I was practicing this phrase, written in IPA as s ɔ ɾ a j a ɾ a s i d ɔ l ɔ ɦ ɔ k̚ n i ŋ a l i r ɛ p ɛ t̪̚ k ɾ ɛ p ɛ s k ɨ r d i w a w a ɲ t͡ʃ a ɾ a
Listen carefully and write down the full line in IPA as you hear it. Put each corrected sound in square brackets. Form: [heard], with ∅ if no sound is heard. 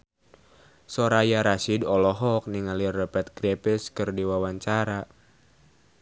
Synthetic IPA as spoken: s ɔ ɾ a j a ɾ a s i d ɔ l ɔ ɦ ɔ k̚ n i ŋ a l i r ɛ p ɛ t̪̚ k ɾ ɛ p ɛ s k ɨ r d i w a w a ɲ t͡ʃ a ɾ a